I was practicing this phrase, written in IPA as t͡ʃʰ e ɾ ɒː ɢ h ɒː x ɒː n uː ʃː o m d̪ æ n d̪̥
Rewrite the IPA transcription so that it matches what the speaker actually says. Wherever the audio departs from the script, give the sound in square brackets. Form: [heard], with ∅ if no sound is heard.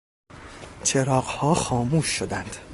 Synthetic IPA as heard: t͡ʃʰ e ɾ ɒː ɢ h ɒː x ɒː [m] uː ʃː o [∅] d̪ æ n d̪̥